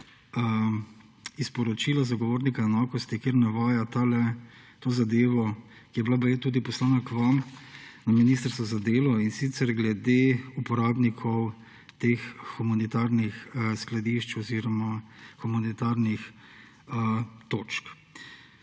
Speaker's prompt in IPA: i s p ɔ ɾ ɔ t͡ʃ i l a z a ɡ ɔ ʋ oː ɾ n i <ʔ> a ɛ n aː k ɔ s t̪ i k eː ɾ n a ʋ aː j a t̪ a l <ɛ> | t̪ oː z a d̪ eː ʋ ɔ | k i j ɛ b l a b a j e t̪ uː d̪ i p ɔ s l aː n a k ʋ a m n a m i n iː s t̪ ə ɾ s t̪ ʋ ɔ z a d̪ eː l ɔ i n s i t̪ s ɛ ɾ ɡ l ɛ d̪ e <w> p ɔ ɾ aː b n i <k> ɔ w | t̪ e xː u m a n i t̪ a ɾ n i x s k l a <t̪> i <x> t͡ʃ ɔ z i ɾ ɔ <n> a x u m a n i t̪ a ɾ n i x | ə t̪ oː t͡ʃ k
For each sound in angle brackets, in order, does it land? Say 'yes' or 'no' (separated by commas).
no, yes, no, no, no, no, no